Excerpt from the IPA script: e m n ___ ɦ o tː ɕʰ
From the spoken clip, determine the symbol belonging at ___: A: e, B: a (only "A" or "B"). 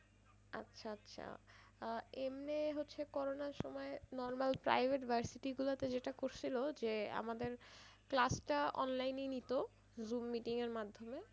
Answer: A